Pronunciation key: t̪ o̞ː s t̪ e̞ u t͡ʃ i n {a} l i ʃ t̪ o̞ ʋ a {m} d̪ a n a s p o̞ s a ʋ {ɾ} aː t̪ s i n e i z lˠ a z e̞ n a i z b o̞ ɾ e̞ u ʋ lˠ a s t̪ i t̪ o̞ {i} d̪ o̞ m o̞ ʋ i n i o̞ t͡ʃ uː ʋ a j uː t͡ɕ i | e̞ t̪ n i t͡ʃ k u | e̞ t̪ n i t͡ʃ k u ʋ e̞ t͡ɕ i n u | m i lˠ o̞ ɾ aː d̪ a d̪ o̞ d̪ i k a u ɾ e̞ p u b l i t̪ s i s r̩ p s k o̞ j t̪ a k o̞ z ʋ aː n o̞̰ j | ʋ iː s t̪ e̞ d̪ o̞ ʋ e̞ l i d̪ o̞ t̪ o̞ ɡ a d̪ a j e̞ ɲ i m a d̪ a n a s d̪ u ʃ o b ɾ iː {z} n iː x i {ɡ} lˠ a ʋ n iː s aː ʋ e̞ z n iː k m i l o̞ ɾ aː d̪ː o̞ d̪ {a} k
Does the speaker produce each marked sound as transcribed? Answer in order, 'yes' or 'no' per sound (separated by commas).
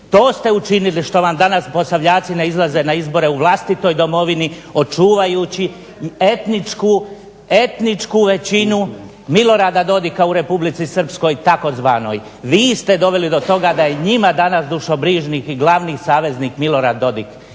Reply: no, yes, no, no, no, yes, no